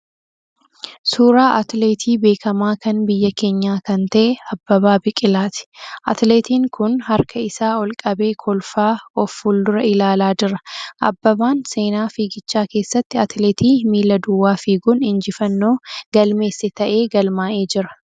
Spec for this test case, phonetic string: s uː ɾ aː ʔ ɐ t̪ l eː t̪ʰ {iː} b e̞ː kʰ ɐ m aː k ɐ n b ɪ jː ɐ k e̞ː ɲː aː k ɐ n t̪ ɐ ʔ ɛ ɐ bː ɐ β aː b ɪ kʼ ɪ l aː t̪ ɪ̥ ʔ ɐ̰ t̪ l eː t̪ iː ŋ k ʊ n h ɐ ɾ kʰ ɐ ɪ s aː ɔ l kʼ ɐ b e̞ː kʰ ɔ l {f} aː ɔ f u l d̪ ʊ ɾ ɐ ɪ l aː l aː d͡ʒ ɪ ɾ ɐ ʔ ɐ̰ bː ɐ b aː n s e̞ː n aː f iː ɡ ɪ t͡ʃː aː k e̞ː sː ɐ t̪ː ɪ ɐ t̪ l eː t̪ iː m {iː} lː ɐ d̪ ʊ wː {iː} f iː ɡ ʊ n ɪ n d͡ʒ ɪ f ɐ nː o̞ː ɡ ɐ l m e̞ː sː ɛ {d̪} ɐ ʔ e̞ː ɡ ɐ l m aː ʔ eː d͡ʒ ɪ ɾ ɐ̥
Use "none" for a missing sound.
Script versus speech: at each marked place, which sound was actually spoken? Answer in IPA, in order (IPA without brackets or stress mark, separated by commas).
iː, f, iː, aː, t̪